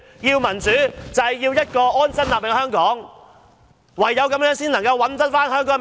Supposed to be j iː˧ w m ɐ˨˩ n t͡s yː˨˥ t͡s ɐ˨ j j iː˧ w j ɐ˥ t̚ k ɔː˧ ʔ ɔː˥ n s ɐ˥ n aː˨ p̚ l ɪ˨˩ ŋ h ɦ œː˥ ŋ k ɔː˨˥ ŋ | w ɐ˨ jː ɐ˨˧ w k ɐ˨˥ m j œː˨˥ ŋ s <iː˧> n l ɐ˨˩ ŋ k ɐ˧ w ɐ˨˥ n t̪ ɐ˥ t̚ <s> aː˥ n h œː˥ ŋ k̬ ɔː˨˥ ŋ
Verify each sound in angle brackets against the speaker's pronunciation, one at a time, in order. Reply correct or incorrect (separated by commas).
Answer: incorrect, incorrect